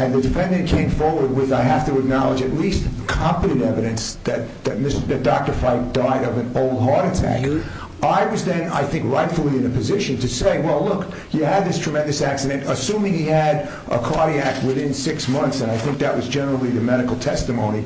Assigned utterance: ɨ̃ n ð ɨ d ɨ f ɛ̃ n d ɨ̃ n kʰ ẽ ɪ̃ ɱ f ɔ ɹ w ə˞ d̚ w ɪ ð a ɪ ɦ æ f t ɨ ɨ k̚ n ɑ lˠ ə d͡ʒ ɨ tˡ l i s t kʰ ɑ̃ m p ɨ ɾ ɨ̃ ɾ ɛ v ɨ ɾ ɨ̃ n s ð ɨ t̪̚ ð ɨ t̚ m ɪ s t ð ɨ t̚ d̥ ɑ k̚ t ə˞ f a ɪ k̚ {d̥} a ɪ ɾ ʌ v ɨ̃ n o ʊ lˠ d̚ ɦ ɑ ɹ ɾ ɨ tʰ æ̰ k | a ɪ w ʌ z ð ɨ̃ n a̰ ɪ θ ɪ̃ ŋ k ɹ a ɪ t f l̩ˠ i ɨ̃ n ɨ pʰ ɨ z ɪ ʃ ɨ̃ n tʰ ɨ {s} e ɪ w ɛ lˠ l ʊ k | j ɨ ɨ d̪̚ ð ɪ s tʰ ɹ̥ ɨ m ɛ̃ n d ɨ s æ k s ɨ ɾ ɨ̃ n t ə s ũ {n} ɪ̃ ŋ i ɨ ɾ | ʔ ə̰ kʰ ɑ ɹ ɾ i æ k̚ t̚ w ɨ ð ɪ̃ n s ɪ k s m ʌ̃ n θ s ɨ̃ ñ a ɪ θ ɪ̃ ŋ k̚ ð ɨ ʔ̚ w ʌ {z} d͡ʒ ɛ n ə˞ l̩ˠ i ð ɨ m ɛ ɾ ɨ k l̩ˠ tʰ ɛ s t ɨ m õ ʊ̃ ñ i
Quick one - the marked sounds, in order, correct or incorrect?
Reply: correct, correct, incorrect, correct

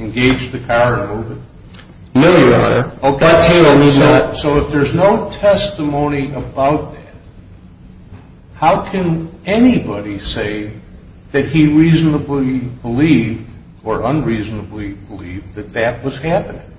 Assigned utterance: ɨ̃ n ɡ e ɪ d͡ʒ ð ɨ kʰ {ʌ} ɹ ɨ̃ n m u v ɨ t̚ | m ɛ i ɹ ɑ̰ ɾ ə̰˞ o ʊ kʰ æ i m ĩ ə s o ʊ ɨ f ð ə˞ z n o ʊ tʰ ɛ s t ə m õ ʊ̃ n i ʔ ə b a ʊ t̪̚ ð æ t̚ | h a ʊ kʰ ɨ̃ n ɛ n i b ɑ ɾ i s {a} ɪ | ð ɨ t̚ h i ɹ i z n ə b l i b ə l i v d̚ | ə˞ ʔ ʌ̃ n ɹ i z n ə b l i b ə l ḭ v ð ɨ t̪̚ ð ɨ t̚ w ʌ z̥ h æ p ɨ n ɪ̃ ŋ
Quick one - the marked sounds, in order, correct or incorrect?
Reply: incorrect, incorrect

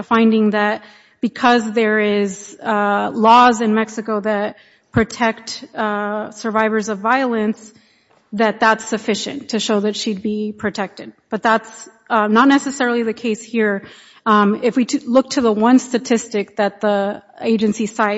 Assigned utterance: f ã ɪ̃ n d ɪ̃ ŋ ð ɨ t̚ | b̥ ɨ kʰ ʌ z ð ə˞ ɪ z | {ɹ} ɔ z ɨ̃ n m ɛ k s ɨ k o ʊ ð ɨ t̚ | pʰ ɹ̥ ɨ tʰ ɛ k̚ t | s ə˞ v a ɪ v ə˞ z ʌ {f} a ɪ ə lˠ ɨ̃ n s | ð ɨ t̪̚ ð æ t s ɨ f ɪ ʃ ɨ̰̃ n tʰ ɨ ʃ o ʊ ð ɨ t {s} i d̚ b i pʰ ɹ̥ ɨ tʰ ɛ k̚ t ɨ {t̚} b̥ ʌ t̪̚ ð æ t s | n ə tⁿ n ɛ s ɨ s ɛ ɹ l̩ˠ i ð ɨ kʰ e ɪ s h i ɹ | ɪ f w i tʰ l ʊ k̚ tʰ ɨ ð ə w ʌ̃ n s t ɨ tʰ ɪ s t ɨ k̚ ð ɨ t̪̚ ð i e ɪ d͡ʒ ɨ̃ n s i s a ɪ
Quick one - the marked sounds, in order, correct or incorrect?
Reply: incorrect, incorrect, incorrect, incorrect

